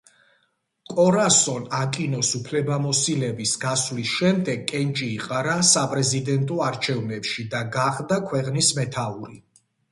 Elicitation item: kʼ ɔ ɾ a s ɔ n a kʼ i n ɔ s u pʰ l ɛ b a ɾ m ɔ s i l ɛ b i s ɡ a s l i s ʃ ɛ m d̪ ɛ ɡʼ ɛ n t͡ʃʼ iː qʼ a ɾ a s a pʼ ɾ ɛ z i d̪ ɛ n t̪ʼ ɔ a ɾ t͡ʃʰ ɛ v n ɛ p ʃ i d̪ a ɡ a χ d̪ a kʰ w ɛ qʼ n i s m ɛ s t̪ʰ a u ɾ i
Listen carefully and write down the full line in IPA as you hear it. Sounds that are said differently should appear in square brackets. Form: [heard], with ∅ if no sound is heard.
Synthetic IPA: kʼ ɔ ɾ a s ɔ n a kʼ i n ɔ s u pʰ l ɛ b a [∅] m ɔ s i l ɛ b i s ɡ a s l i s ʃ ɛ m d̪ ɛ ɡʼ ɛ n t͡ʃʼ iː qʼ a ɾ a s a pʼ ɾ ɛ z i d̪ ɛ n t̪ʼ ɔ a ɾ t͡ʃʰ ɛ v n ɛ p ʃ i d̪ a ɡ a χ d̪ a kʰ w ɛ qʼ n i s m ɛ [∅] t̪ʰ a u ɾ i